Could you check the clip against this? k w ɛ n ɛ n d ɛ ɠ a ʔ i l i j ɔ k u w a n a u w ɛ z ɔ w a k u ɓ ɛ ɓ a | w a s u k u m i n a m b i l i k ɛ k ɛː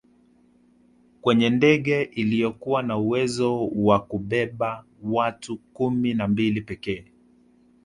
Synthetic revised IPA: k w ɛ ɲ ɛ n d ɛ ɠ ɛ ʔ i l i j ɔ k u w a n a u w ɛ z ɔ w a k u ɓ ɛ ɓ a | w a t u k u m i n a m b i l i p ɛ k ɛː